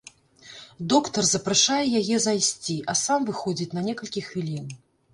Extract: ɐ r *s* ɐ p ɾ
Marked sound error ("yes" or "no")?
yes